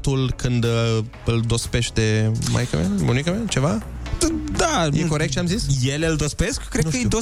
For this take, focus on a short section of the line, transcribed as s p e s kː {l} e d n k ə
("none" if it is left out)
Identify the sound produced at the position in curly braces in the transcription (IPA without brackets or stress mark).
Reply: ɾ